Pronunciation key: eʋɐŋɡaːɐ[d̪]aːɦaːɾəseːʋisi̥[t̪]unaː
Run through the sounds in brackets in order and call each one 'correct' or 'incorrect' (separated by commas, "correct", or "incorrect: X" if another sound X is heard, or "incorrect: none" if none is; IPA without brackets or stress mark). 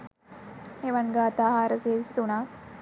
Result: incorrect: t̪, correct